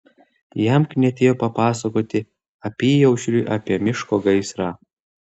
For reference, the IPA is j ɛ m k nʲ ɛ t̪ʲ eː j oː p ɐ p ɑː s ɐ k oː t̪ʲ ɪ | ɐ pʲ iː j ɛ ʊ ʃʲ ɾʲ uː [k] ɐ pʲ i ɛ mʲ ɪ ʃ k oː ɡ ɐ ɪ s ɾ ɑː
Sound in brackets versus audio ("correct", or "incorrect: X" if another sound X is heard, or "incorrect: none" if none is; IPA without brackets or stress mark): incorrect: ʔ